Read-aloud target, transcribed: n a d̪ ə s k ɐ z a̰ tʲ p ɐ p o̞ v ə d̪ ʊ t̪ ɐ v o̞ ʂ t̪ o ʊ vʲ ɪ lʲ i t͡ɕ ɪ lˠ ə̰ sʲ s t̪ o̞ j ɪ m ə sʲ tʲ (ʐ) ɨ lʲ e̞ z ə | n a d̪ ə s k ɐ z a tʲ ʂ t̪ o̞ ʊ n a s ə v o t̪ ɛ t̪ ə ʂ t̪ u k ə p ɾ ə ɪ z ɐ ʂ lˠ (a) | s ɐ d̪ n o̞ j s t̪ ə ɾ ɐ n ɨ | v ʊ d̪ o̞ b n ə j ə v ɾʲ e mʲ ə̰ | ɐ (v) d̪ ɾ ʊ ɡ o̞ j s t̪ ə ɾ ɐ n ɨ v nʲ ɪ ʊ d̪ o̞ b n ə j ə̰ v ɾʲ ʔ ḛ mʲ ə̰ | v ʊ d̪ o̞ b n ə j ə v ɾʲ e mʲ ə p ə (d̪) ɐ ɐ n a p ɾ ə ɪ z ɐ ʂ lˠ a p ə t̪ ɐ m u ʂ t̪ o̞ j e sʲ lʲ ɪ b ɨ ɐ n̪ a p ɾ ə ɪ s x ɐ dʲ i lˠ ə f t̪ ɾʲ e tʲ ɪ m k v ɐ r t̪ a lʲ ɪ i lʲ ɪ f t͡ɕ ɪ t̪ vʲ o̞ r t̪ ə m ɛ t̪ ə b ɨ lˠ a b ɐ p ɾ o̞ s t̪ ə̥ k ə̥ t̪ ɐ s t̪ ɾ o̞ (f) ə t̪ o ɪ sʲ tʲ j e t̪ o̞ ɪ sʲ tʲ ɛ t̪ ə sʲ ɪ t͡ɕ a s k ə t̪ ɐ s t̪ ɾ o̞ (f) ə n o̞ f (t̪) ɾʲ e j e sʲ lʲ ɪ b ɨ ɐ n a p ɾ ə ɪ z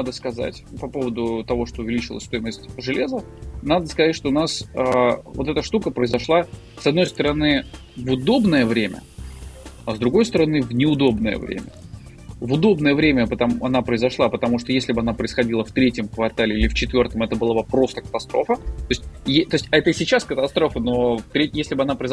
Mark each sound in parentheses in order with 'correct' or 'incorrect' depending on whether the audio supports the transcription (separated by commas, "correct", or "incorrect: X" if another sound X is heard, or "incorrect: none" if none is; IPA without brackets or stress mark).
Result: correct, correct, incorrect: z, incorrect: t̪, correct, correct, correct